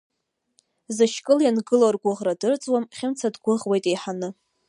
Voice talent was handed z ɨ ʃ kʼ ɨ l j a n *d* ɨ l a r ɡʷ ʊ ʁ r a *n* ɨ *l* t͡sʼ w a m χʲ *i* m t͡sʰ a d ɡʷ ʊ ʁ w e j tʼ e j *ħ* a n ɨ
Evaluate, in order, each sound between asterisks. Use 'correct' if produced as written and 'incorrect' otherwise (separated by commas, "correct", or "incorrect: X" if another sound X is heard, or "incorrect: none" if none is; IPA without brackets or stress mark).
incorrect: ɡ, incorrect: d, incorrect: r, incorrect: ɪ, correct